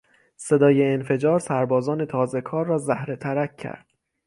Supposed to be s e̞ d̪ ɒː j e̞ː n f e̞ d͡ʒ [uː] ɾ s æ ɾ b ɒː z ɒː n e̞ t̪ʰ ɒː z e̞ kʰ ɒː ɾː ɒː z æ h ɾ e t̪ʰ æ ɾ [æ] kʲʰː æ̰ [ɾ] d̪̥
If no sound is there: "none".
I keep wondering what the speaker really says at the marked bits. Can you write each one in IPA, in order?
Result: ɒː, æ, ɾ

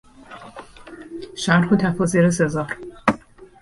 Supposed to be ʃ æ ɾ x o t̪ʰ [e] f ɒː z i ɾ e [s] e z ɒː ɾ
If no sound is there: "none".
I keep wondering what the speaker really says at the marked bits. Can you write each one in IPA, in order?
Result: æ, s

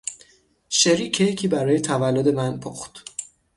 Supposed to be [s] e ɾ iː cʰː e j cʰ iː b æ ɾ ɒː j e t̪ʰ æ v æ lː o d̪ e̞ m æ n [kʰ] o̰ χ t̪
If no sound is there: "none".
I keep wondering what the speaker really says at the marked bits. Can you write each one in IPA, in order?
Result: ʃ, pʰ

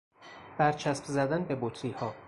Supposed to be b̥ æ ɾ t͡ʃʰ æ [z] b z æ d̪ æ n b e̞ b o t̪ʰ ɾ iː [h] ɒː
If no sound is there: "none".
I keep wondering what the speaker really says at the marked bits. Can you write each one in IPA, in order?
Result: s, h

